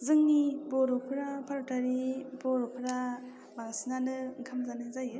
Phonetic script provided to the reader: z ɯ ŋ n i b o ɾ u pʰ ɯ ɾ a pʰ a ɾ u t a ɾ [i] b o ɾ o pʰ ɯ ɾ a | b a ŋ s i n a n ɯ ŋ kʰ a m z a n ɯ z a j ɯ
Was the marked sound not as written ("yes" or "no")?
no